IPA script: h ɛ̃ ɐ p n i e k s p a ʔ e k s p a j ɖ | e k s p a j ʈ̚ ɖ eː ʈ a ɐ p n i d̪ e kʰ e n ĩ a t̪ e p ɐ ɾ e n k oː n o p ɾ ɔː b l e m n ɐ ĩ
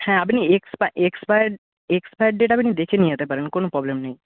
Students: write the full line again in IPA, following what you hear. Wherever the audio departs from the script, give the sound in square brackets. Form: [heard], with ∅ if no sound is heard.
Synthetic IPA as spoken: h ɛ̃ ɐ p n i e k s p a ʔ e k s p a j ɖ | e k s p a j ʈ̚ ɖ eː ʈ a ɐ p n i d̪ e kʰ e n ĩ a t̪ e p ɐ ɾ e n k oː n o p ɾ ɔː b l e m n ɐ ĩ